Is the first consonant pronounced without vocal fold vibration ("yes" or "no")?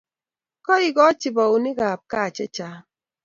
yes